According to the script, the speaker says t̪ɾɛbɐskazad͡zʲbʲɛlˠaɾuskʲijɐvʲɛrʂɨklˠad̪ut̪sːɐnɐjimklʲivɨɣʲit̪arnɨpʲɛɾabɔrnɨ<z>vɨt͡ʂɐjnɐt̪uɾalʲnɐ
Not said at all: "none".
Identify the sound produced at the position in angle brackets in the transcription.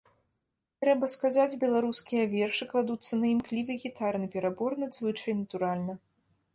z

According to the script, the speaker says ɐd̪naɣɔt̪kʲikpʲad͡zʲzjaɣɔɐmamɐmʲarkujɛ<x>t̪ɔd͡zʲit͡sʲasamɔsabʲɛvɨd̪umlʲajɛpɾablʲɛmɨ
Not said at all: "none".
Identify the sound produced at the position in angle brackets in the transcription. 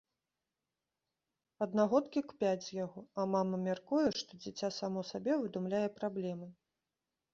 ʂ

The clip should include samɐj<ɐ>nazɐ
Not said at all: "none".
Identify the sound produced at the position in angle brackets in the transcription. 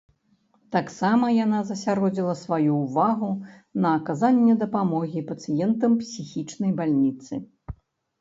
a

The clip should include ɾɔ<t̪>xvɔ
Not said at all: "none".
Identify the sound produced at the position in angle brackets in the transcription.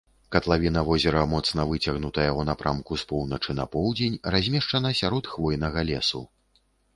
t̪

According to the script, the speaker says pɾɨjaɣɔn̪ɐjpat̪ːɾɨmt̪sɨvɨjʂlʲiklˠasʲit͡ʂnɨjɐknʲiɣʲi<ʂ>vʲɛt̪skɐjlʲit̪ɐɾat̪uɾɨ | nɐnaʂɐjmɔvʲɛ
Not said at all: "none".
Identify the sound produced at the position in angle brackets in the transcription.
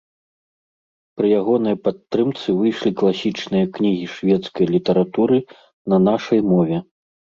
ʂ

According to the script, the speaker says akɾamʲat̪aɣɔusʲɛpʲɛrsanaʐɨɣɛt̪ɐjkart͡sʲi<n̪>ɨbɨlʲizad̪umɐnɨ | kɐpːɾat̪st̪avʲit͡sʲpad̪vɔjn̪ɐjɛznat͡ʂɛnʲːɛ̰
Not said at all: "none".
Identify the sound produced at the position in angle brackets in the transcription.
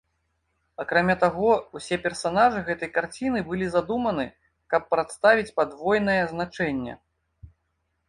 n̪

